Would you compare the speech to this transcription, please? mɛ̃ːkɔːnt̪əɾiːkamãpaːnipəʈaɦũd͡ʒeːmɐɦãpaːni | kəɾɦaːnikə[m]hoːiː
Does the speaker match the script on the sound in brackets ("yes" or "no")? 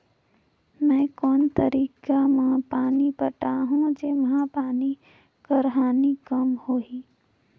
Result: yes